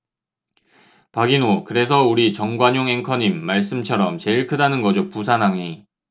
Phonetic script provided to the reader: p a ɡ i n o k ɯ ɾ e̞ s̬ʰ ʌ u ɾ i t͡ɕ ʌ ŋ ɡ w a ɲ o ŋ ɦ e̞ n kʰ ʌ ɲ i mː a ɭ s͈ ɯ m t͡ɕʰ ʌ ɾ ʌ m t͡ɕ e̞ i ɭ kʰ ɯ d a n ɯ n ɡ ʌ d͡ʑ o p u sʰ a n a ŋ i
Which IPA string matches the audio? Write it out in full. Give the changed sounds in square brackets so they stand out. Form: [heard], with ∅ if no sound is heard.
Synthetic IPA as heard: p a ɡ i n o k ɯ ɾ e̞ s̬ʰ ʌ u ɾ i t͡ɕ ʌ ŋ ɡ w a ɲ o ŋ ɦ e̞ [ŋ] kʰ ʌ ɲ i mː a ɭ s͈ ɯ m t͡ɕʰ ʌ ɾ ʌ m t͡ɕ e̞ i ɭ kʰ ɯ d a n ɯ n ɡ ʌ d͡ʑ o p u sʰ a n a ŋ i